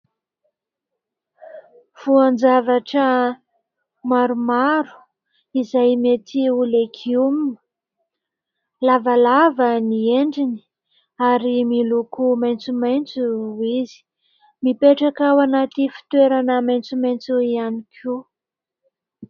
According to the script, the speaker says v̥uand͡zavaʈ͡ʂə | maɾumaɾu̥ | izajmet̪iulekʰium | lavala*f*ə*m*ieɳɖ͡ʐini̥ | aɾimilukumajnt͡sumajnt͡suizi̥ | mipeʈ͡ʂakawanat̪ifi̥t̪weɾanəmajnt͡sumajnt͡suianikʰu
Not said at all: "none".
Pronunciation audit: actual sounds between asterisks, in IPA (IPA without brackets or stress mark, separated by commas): v, n